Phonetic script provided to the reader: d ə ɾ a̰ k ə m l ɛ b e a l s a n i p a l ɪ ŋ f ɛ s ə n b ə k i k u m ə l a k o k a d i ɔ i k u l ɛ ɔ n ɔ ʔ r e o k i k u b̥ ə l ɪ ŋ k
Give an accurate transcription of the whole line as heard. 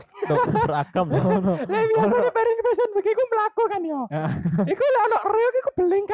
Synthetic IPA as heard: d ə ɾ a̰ k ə m l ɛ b i a s a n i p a ɾ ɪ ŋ f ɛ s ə n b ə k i k u m ə l a k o k a n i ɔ i k u l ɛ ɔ n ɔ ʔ r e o k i k u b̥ ə l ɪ ŋ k